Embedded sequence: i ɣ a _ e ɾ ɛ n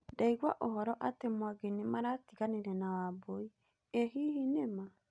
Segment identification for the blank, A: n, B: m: A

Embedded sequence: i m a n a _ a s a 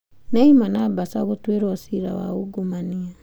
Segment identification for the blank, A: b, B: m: A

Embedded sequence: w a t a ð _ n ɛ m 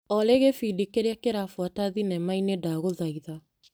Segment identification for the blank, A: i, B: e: A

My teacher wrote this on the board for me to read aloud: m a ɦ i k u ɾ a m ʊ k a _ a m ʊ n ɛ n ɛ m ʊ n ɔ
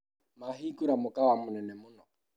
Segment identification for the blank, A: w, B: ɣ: A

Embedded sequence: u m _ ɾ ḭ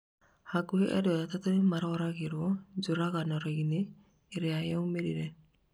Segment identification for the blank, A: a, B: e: B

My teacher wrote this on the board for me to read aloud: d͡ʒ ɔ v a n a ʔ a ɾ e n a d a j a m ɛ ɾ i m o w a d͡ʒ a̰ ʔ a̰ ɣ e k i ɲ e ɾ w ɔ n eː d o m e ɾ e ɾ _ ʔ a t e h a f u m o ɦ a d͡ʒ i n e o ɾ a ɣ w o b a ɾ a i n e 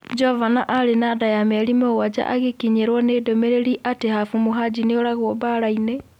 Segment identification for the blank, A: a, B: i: B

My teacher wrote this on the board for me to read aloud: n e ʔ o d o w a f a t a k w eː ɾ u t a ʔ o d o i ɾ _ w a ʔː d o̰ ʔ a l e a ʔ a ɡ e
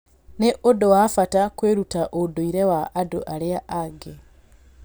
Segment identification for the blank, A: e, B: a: A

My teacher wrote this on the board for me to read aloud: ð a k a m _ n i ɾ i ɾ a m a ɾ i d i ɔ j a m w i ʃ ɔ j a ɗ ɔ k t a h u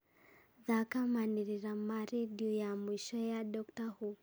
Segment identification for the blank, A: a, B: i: A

